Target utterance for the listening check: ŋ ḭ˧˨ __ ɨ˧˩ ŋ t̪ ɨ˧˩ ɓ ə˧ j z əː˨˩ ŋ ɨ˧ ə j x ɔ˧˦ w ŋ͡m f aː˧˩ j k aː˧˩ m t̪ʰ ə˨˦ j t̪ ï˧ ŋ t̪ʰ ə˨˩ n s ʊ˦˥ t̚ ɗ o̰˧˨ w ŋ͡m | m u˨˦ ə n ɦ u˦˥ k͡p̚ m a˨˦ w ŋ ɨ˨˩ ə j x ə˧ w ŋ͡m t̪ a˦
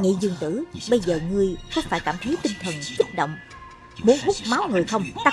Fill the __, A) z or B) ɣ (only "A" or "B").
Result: A